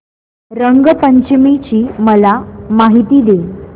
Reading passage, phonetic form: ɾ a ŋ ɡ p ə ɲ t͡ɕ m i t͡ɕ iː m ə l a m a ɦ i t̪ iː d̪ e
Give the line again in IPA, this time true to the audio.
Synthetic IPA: ɾ ə ŋ ɡ p ə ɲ t͡ɕ m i t͡ɕ iː m ə l a m a ɦ i t̪ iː d̪ e